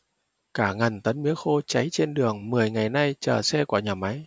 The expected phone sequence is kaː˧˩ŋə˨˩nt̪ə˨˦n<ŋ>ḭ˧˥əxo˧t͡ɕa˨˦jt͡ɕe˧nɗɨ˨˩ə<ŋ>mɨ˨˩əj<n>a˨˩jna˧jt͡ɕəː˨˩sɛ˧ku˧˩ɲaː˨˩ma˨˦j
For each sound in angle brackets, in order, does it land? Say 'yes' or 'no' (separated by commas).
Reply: no, yes, no